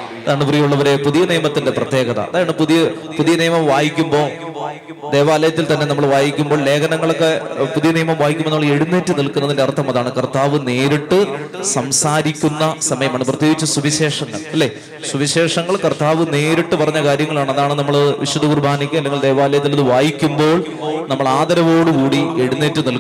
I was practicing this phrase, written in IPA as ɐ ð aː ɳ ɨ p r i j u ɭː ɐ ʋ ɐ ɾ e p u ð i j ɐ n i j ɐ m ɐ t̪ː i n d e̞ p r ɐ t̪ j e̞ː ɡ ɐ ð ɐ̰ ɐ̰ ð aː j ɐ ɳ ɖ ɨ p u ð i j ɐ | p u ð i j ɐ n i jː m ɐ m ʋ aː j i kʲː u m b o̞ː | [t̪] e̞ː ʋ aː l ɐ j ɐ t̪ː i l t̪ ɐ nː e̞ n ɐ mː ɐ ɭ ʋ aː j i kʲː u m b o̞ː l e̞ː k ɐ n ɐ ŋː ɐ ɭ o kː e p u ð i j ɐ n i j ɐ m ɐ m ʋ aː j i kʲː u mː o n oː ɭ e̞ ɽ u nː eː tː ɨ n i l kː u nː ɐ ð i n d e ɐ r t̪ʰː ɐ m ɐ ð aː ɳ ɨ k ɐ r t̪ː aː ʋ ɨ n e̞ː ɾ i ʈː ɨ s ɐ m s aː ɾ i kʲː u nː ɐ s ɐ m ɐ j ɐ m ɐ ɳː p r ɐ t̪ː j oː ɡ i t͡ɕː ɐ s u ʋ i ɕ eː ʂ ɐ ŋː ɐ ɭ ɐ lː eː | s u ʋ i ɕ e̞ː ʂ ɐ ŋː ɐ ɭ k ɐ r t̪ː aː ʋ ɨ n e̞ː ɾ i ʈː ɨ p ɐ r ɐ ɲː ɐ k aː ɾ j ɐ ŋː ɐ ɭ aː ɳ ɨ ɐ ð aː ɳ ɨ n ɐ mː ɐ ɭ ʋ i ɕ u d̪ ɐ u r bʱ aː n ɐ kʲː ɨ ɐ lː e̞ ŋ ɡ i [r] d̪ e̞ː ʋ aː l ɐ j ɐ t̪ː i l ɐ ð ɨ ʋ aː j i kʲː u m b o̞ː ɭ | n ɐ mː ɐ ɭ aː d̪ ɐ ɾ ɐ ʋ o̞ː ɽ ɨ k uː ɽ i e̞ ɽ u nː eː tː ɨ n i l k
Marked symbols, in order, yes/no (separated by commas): no, no